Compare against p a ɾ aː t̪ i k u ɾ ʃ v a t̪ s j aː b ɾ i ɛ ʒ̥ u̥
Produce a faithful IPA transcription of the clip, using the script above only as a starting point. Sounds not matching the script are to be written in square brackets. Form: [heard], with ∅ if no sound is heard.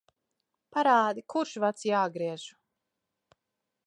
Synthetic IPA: p a ɾ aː [d̪] i k u ɾ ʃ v a t̪ s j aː [ɡ] ɾ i ɛ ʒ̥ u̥